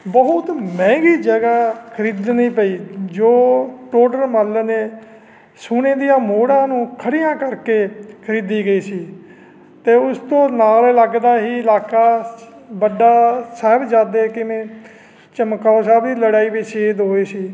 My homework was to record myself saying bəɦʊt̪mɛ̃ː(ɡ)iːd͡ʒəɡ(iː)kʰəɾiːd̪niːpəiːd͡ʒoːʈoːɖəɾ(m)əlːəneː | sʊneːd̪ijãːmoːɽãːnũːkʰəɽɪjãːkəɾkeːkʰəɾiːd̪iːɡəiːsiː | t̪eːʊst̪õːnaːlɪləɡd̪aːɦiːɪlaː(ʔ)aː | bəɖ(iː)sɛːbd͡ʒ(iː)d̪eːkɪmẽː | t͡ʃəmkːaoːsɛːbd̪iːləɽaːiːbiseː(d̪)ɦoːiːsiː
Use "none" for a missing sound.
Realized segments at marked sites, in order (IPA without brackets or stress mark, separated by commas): ɡ, aː, m, k, aː, aː, d̪